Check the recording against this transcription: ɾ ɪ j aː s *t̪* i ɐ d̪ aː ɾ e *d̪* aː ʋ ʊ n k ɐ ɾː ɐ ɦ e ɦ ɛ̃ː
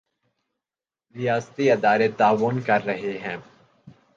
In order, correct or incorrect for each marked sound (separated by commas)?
correct, incorrect